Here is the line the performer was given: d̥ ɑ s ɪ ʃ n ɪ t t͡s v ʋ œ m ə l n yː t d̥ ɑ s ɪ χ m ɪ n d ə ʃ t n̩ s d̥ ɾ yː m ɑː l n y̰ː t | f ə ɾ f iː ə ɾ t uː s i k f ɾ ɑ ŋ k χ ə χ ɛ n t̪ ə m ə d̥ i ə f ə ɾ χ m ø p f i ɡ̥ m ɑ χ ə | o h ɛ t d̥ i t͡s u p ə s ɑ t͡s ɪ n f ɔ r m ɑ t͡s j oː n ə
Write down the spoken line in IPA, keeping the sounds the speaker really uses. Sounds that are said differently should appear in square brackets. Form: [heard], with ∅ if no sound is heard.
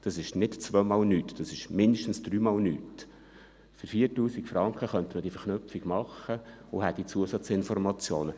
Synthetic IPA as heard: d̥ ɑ s ɪ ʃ n ɪ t t͡s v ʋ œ m [ɑ] l n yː t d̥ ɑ s ɪ [ʃ] m ɪ n d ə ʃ t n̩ s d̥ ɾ yː m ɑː l n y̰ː t | f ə ɾ f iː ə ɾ t uː s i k f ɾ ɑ ŋ k χ ə χ [œ] n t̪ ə m ə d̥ i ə f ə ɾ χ [n] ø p f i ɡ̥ m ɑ χ ə | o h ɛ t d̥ i t͡s u [∅] ə s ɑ t͡s ɪ n f ɔ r m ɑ t͡s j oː n ə